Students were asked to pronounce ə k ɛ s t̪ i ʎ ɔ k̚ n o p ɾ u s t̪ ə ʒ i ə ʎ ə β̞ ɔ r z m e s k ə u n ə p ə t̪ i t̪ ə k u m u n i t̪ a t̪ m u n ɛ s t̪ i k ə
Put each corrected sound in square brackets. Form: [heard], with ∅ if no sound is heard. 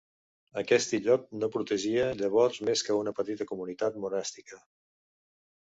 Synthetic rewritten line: ə k ɛ s t̪ i ʎ ɔ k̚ n o p ɾ u [∅] t̪ ə ʒ i ə ʎ ə β̞ ɔ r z m e s k ə u n ə p ə t̪ i t̪ ə k u m u n i t̪ a t̪ m u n ɛ s t̪ i k ə